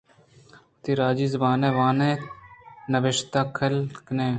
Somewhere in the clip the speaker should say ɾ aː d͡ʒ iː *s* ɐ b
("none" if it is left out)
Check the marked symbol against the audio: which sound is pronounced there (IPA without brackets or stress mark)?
z